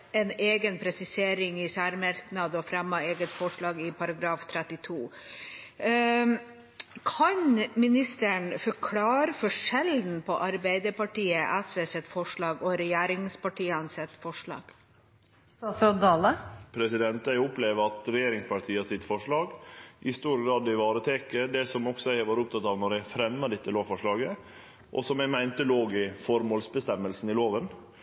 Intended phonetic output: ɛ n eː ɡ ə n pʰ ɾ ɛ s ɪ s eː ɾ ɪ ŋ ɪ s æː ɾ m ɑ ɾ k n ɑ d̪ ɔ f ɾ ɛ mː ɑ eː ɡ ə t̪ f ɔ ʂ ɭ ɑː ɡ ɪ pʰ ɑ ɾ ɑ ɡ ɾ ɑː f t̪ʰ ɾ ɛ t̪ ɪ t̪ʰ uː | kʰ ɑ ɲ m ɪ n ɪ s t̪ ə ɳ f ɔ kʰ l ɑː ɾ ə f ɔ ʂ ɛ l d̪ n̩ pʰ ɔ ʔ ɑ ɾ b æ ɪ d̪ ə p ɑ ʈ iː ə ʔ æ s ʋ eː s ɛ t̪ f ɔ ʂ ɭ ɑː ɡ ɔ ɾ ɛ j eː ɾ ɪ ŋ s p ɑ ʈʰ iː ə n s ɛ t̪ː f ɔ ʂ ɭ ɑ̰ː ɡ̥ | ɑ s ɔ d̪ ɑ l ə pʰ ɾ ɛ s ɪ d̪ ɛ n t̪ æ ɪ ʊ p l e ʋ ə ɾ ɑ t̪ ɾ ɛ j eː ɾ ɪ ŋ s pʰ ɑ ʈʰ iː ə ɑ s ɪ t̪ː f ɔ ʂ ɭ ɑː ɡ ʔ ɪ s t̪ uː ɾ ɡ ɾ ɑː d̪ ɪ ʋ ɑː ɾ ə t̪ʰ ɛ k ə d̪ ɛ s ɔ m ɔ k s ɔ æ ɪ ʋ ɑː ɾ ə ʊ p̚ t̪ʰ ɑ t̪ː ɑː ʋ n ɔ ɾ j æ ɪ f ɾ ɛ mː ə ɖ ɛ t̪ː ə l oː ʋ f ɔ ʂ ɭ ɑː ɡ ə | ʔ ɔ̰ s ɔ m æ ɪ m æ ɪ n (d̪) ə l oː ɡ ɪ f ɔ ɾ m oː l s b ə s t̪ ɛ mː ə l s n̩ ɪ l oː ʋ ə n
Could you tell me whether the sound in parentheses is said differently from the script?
yes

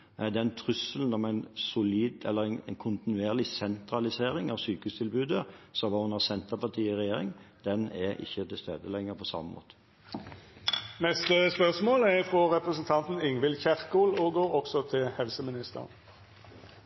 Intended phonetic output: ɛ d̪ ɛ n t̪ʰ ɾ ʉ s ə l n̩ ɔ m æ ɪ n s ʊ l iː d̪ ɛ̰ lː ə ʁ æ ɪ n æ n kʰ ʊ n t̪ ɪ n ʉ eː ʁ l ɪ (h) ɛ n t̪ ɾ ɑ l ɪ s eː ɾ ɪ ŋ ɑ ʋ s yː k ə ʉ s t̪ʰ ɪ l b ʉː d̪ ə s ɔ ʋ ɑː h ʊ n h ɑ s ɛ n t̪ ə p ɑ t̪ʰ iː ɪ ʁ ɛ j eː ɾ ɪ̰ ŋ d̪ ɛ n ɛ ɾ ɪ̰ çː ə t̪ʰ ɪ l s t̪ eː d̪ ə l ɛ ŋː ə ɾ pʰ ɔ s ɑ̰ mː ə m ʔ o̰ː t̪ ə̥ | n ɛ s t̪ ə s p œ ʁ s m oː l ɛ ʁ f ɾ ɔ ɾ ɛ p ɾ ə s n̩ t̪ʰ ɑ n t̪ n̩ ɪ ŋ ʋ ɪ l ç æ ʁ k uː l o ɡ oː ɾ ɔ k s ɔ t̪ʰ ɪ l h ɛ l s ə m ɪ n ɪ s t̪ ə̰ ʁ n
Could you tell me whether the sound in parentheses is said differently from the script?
yes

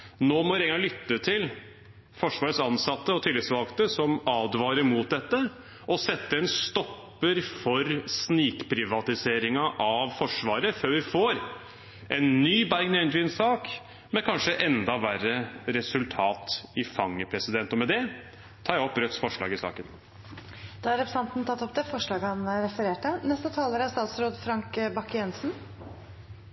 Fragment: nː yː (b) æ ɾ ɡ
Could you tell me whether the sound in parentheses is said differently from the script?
no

